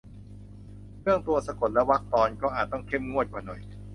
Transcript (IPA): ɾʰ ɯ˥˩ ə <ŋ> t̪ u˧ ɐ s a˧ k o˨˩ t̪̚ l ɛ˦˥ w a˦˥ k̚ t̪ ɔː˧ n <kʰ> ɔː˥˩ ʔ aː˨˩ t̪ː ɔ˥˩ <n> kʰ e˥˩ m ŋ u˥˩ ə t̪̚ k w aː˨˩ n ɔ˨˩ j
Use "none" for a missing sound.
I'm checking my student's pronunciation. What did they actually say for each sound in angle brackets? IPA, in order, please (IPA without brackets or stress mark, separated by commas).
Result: ŋ, k, ŋ